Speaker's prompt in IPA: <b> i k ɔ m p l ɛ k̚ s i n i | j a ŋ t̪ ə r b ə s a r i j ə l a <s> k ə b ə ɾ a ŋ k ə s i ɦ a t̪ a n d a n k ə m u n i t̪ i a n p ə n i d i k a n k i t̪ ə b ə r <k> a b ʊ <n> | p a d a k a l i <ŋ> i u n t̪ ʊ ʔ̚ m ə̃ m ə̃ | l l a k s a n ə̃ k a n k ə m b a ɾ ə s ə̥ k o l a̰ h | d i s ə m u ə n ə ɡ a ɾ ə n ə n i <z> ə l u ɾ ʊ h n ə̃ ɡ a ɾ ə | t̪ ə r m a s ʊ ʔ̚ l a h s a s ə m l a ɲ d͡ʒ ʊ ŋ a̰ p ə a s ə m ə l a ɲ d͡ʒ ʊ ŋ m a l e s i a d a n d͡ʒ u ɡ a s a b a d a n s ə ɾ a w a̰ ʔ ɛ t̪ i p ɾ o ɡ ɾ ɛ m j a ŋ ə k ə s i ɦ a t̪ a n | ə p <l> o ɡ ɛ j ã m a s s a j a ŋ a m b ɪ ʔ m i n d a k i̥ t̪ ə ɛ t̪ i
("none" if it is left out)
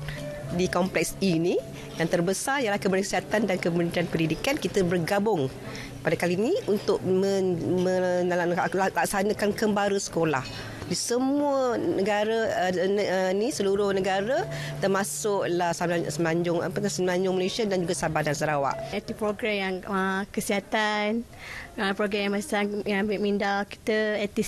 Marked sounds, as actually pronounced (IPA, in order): d, h, ɡ, ŋ, n, s, ɾ

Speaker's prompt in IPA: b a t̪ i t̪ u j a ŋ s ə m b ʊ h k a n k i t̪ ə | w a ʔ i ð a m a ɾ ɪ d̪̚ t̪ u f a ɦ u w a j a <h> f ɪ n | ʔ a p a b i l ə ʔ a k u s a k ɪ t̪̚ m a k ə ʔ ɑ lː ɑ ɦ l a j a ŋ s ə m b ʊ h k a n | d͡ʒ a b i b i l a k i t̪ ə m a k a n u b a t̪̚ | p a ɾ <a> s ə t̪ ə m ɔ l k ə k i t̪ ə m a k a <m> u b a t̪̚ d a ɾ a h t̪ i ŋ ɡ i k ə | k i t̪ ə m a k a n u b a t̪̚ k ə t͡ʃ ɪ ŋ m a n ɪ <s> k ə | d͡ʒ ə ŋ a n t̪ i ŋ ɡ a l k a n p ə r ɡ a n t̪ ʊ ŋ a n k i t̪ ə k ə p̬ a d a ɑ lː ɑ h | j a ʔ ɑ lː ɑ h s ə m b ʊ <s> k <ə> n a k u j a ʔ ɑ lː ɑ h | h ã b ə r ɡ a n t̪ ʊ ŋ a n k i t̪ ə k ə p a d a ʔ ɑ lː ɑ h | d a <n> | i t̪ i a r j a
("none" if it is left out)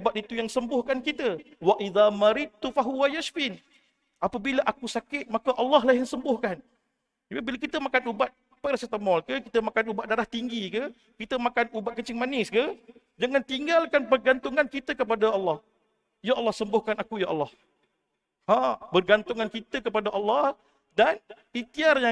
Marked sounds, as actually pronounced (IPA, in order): ʃ, a, n, s, h, a, n

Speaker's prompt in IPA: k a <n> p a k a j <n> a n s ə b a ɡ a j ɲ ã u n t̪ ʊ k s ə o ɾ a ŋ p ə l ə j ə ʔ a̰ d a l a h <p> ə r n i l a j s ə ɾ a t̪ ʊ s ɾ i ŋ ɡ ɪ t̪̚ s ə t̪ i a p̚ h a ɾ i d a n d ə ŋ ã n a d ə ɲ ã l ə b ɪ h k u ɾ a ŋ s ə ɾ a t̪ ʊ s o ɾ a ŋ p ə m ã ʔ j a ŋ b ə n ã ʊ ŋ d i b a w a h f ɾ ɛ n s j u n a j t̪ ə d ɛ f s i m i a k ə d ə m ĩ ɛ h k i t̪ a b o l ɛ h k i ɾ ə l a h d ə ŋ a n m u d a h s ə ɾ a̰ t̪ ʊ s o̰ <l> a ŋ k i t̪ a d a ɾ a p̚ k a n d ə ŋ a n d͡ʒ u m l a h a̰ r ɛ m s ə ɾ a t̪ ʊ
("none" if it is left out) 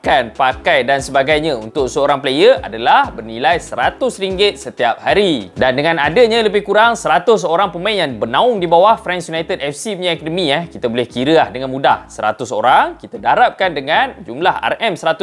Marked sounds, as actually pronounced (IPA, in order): n, d, b, ɾ

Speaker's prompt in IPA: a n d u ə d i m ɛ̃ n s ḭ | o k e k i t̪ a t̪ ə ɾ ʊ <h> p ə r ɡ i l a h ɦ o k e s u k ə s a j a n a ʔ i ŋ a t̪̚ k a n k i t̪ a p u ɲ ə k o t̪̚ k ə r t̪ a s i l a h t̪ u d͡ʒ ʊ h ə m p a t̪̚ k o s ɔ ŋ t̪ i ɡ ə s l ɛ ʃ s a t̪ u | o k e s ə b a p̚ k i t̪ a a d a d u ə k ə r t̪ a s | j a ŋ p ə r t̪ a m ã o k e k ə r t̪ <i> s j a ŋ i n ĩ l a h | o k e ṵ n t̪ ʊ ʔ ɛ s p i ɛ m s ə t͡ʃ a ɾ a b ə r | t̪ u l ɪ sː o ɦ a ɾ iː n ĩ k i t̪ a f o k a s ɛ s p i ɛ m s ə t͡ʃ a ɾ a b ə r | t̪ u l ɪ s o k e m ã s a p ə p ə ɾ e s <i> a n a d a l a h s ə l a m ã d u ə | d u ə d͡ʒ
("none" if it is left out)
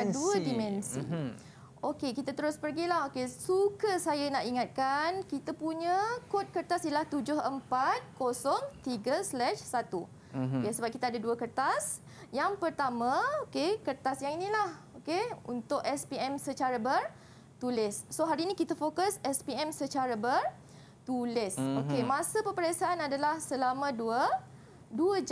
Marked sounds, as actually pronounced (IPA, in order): s, a, a

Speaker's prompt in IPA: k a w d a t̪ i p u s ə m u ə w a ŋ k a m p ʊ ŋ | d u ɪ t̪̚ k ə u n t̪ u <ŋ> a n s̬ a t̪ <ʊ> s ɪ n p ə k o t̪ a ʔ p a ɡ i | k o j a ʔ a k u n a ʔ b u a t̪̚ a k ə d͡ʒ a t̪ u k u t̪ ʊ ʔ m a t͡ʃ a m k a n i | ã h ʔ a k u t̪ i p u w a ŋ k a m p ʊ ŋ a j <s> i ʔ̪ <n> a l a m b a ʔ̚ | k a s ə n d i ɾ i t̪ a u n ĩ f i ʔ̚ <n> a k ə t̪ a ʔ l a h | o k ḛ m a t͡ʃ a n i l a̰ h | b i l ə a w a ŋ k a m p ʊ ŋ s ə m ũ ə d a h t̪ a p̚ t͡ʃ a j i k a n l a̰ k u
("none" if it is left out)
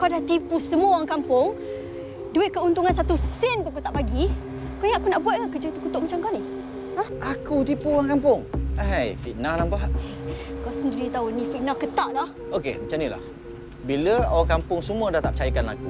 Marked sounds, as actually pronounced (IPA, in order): ŋ, u, f, n, n

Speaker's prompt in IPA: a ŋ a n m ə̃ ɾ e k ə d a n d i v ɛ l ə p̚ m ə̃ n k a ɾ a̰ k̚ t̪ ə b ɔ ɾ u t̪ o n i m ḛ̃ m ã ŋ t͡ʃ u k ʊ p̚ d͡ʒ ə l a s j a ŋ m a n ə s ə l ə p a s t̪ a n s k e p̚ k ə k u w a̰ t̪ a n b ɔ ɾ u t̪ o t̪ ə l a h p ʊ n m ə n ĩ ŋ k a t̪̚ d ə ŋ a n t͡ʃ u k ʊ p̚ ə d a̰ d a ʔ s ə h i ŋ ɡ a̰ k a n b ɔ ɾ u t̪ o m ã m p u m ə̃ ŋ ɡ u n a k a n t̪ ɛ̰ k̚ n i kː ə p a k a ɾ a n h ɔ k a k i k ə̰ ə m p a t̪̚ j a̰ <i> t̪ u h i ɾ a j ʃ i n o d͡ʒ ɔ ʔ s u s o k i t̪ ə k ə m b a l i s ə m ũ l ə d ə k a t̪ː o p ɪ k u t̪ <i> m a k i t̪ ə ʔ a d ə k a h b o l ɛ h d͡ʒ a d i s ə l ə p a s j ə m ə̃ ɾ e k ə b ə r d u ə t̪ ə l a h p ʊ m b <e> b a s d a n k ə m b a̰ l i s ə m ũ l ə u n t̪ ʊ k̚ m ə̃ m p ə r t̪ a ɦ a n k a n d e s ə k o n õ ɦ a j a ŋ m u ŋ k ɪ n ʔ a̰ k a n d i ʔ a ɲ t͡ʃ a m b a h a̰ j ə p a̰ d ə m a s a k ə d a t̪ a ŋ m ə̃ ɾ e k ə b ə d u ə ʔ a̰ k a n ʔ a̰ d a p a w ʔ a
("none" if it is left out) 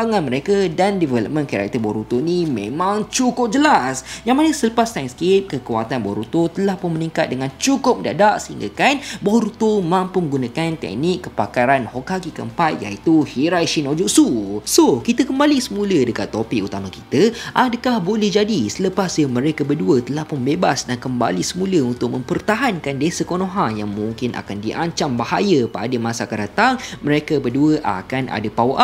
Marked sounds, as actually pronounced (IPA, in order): i, a, e

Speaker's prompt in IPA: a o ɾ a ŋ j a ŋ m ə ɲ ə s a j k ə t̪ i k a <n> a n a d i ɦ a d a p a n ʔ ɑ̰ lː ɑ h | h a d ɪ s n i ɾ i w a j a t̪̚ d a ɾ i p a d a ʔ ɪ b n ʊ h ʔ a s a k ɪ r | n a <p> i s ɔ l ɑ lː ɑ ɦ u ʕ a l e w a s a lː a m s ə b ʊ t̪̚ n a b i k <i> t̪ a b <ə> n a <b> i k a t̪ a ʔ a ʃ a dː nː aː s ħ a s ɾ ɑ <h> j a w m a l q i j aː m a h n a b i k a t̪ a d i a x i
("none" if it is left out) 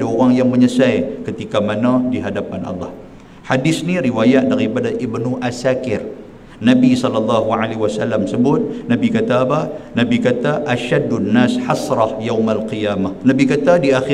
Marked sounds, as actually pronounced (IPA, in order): m, b, a, a, b, h

